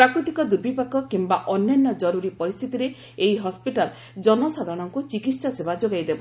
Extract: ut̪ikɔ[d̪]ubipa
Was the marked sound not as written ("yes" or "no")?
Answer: no